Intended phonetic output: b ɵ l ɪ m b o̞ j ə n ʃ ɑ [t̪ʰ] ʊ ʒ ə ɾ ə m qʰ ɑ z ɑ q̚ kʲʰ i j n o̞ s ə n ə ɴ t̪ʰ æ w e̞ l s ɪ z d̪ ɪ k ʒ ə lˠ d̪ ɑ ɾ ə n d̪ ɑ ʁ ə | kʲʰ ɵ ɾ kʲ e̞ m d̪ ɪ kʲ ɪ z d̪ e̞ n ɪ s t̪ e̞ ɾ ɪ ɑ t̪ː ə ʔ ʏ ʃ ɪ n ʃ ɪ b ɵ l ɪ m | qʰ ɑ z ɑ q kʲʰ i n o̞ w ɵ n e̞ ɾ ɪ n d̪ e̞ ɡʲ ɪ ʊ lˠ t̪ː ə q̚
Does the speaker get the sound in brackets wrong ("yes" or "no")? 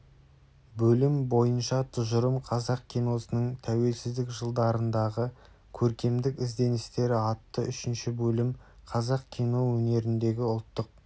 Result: no